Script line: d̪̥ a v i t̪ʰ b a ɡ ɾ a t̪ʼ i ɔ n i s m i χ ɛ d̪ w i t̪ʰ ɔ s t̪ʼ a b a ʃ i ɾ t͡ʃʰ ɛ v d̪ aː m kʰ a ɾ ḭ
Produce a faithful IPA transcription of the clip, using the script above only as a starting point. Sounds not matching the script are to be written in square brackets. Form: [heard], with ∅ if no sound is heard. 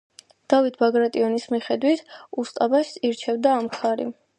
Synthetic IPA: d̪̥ a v i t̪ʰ b a ɡ ɾ a t̪ʼ i ɔ n i s m i χ ɛ d̪ w i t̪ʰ [u] s t̪ʼ a b a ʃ i ɾ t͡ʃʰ ɛ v d̪ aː m kʰ a ɾ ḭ